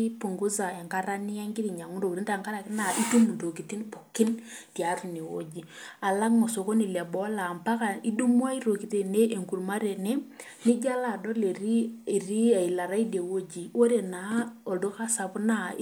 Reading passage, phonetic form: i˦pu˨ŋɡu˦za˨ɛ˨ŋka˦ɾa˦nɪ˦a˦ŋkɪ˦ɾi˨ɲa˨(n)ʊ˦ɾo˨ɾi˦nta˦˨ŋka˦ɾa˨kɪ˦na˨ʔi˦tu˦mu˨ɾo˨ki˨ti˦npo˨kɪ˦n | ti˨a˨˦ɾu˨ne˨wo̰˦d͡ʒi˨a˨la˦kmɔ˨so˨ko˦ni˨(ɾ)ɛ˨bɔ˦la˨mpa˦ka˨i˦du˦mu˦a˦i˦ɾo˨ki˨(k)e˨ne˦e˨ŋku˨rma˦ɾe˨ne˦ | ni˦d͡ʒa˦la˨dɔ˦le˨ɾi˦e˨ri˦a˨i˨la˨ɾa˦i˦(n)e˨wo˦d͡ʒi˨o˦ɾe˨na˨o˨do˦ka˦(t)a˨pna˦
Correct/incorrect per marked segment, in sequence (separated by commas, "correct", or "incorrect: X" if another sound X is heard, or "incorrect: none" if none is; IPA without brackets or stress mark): incorrect: ŋ, incorrect: l, incorrect: t, incorrect: d, incorrect: s